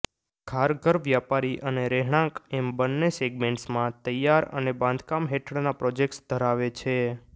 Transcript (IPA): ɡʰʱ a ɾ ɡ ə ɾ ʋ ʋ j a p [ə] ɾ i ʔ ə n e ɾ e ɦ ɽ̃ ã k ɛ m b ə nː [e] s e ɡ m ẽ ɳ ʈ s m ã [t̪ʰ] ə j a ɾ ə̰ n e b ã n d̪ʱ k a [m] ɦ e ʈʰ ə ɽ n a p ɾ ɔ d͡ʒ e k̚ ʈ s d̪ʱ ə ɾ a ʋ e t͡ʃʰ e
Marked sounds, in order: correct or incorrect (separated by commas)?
incorrect, correct, incorrect, correct